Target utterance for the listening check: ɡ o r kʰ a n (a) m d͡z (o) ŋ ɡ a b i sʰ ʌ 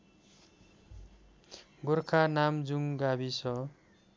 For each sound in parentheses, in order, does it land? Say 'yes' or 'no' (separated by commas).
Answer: yes, no